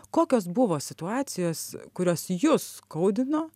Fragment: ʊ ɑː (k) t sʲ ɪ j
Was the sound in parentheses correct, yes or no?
no